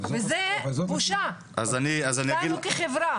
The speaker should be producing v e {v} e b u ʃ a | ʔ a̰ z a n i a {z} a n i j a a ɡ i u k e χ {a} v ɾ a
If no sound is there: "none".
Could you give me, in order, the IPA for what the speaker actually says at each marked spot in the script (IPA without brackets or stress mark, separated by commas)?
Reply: z, z, e